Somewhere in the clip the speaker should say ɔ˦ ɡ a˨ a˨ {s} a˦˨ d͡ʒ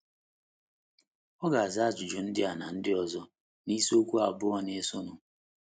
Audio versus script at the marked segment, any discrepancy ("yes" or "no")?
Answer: yes